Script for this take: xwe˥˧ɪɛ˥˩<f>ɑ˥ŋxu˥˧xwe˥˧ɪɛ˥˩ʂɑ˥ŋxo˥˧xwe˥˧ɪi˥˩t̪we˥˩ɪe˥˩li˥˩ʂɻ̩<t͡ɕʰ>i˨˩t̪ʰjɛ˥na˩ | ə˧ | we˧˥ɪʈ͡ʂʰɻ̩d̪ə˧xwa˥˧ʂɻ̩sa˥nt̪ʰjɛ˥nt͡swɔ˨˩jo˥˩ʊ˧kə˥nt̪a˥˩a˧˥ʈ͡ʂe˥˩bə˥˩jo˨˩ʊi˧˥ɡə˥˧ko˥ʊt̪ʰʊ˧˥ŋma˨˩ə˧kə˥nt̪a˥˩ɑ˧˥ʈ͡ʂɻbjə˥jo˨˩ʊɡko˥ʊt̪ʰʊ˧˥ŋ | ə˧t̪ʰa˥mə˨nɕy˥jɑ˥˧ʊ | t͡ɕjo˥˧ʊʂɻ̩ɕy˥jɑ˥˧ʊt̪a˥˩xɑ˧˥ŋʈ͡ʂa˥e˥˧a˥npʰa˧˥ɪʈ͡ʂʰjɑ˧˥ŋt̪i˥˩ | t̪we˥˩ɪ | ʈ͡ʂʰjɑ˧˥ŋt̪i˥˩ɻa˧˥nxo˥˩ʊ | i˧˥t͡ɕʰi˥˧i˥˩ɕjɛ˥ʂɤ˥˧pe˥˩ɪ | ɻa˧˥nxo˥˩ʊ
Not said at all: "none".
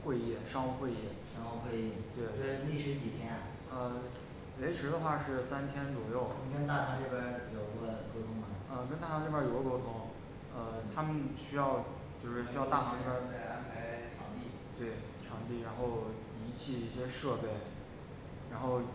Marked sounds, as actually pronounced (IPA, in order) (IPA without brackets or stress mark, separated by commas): ʂ, t͡ɕ